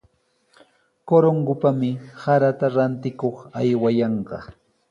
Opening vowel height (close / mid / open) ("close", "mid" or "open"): mid